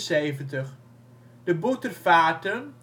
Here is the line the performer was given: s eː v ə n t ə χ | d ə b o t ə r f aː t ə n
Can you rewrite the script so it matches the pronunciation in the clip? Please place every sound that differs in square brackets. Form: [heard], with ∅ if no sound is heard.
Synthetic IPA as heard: s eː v ə n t ə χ | d ə b [u] t ə r f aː t ə n